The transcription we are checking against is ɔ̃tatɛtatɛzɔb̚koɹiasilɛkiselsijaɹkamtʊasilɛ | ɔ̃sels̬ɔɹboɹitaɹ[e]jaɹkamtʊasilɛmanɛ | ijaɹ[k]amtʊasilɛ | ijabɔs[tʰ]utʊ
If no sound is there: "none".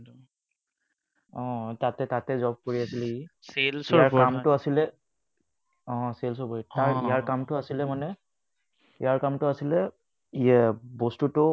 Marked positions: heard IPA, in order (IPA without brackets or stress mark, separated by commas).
i, k, t